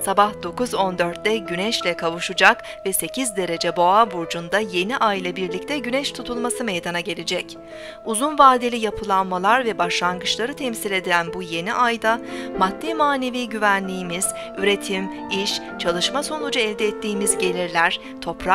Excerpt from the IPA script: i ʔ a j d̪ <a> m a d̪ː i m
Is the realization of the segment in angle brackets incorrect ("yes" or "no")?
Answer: no